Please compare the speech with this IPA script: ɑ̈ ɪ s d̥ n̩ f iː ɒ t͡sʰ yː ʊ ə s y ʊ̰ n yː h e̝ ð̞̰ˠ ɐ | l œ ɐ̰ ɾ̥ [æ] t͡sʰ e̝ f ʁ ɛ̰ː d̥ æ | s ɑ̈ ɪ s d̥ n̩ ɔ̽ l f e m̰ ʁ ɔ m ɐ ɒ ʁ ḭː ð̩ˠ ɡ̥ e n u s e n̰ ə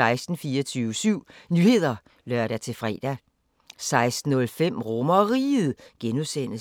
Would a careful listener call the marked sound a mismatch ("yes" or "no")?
no